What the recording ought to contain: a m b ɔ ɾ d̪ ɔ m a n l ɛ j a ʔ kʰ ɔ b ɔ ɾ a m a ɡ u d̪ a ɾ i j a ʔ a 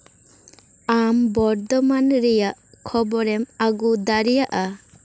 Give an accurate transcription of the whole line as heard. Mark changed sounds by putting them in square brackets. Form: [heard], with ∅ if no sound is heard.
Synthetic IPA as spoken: a m b ɔ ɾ d̪ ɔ m a n [ɾ] ɛ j a ʔ kʰ ɔ b ɔ ɾ [ɛ] m a ɡ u d̪ a ɾ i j a ʔ a